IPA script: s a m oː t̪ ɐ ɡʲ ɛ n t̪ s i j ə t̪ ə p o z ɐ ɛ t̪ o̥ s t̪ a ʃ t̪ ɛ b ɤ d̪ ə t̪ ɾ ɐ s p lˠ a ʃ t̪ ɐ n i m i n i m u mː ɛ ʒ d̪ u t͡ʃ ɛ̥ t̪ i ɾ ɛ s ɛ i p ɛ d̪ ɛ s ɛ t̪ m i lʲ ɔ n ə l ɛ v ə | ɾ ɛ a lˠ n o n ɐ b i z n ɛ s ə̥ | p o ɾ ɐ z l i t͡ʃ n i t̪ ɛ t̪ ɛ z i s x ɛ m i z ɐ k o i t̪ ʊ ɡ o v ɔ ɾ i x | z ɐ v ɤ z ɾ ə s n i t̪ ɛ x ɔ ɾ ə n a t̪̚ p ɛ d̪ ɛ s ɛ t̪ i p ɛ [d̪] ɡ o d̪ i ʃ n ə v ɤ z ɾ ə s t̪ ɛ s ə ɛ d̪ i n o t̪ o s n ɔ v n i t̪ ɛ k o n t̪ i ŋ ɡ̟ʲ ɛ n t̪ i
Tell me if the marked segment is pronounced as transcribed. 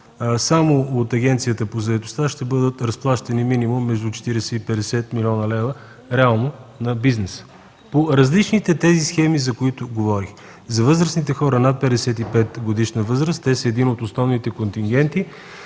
no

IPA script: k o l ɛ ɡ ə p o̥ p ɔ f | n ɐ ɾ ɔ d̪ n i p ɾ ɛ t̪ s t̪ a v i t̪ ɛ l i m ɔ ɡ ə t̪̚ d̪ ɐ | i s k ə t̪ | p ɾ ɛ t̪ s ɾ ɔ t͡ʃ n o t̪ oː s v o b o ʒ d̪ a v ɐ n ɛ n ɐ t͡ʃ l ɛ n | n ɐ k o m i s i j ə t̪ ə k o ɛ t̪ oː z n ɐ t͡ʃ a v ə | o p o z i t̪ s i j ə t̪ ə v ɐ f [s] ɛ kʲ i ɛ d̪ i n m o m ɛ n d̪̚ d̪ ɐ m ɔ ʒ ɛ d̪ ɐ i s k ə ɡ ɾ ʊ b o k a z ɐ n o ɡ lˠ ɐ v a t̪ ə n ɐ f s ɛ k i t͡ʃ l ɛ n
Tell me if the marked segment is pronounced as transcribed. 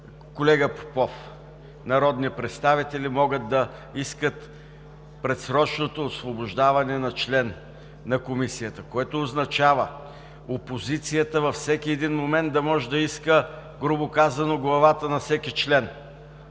yes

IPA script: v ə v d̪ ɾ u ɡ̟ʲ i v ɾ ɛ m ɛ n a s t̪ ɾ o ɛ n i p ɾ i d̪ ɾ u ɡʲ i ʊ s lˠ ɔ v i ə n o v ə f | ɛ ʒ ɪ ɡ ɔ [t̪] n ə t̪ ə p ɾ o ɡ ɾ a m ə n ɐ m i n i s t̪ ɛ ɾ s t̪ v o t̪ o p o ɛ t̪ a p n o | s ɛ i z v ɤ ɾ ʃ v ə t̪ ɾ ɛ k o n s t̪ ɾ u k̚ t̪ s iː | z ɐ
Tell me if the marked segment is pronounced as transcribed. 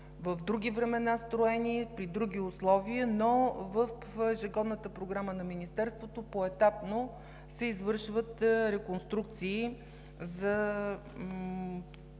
no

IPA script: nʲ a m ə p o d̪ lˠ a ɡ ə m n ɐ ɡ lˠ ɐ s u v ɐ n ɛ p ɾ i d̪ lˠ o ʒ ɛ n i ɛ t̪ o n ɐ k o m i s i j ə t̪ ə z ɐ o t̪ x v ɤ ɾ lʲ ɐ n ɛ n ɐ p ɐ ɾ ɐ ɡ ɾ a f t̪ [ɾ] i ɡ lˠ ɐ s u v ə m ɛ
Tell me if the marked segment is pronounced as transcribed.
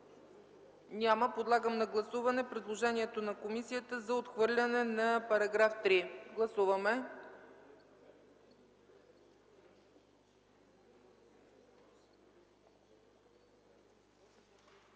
yes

